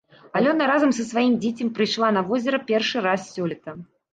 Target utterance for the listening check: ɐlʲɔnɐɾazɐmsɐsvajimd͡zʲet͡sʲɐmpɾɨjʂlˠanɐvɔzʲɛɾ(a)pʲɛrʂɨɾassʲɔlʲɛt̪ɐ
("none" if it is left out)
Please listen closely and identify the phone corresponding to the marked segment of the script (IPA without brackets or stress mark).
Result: ɐ